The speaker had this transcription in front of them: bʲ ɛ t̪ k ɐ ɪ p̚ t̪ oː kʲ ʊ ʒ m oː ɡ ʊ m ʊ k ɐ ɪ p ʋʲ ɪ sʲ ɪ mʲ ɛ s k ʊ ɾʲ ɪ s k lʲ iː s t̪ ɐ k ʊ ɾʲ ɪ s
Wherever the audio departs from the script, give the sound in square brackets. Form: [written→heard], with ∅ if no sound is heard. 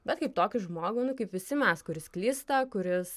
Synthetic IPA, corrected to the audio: bʲ ɛ t̪ k ɐ ɪ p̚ t̪ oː kʲ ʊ ʒ m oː ɡ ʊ [m→n] ʊ k ɐ ɪ p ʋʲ ɪ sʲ ɪ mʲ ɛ s k ʊ ɾʲ ɪ s k lʲ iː s t̪ ɐ k ʊ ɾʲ ɪ s